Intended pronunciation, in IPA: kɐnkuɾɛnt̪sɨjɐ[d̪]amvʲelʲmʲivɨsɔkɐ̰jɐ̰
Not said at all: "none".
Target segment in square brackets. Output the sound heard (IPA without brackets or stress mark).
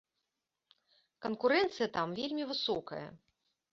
t̪